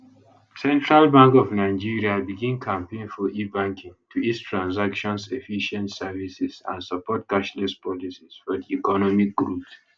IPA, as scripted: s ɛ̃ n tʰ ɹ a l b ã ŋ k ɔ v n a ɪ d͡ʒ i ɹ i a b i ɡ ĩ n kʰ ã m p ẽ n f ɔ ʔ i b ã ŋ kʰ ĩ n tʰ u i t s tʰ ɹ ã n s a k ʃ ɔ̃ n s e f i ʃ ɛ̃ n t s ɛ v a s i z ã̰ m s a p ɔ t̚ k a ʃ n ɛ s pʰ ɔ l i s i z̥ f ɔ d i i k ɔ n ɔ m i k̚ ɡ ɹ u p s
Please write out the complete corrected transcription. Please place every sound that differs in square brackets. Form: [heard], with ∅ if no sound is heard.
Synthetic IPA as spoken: s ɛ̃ n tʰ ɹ a l b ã ŋ k ɔ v n a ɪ d͡ʒ i ɹ i a b i ɡ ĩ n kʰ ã m p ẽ n f ɔ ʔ i b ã ŋ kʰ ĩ [ŋ] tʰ u i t s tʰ ɹ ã n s a k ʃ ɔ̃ n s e f i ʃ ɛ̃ n t s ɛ v [i] s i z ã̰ [n] s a p ɔ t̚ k a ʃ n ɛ s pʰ ɔ l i s i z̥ f ɔ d i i k ɔ n ɔ m i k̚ ɡ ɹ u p s